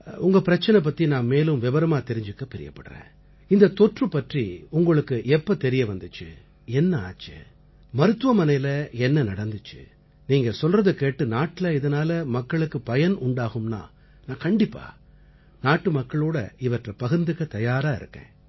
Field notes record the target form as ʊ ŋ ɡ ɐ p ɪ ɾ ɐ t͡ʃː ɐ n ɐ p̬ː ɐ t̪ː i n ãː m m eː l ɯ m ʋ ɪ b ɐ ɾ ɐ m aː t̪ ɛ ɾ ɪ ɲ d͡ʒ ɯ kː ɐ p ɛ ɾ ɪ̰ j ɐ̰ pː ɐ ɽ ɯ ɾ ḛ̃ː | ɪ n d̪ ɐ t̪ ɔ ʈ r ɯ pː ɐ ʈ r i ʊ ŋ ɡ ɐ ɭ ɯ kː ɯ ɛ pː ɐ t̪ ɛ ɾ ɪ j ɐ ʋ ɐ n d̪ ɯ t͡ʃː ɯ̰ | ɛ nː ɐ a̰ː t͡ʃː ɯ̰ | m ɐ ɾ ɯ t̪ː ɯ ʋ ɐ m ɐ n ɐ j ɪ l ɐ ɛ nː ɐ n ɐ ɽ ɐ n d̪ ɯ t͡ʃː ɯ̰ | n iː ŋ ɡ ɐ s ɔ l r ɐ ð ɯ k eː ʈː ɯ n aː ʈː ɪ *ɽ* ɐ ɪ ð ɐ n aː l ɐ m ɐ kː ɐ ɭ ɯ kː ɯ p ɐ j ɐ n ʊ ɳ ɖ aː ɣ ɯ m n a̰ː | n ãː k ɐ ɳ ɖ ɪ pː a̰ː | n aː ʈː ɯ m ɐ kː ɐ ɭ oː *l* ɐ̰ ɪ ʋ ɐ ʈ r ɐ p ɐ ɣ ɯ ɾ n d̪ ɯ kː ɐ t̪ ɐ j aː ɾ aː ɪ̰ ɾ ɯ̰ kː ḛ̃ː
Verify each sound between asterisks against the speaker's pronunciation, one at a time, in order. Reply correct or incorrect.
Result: incorrect, incorrect

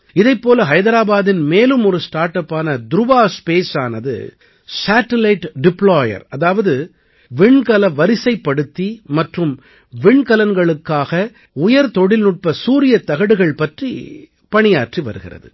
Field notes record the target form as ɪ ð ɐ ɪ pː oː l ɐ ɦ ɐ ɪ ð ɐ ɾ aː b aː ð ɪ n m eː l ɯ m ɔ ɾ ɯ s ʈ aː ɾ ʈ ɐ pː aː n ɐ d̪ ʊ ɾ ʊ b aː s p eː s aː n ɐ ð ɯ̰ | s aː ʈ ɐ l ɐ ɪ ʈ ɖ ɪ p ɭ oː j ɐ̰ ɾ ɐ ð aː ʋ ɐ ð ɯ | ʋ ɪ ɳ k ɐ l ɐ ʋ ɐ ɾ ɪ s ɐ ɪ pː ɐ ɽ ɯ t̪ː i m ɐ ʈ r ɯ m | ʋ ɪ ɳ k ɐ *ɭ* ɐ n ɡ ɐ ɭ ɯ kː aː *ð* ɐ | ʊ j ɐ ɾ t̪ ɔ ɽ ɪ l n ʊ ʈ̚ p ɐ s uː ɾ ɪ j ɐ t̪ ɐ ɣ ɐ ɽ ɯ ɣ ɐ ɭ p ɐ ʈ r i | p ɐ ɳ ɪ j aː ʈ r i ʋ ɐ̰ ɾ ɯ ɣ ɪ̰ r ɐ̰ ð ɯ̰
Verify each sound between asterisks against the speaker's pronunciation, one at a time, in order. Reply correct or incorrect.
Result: incorrect, incorrect

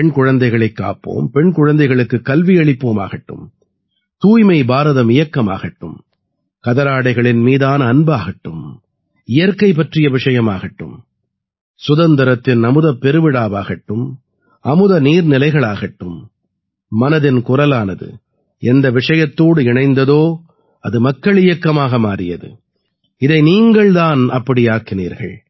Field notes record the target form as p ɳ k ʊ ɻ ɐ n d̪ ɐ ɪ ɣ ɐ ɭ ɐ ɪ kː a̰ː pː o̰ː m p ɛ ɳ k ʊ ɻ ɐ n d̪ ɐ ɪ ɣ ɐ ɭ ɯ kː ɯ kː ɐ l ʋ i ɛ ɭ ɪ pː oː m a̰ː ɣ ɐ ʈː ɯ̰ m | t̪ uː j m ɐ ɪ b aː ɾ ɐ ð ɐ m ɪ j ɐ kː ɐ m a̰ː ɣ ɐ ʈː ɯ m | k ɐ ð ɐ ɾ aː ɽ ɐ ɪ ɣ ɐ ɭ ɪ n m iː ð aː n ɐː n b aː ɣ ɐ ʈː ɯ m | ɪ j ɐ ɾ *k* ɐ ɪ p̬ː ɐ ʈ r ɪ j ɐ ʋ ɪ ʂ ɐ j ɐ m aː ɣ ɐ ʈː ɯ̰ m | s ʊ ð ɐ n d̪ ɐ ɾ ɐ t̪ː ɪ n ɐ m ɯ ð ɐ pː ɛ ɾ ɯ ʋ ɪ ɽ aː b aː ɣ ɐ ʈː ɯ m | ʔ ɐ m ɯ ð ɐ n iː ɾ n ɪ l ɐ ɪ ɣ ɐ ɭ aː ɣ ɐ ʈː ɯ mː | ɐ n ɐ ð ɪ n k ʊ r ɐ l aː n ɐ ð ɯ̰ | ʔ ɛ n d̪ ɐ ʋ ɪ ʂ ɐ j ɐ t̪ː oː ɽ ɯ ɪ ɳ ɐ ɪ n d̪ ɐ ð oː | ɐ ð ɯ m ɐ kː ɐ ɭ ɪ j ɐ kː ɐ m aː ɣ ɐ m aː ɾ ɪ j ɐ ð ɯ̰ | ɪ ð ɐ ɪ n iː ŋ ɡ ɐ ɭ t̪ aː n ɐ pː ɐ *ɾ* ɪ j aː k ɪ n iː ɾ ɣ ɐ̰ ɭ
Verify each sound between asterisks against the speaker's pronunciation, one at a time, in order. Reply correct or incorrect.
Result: correct, incorrect

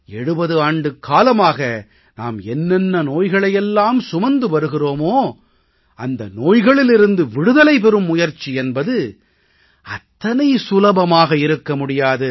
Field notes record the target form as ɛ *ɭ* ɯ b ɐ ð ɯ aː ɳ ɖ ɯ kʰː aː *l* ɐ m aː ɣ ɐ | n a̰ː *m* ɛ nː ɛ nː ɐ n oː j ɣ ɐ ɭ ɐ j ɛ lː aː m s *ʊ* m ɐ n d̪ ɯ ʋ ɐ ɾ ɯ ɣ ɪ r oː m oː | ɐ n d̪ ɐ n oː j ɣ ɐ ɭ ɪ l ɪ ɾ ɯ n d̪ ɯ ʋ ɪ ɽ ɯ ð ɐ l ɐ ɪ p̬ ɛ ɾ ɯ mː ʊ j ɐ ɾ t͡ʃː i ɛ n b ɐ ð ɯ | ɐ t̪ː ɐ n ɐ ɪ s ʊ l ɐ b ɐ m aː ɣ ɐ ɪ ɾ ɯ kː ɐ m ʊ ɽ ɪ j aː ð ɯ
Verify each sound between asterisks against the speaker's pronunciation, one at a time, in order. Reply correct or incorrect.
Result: incorrect, correct, correct, correct

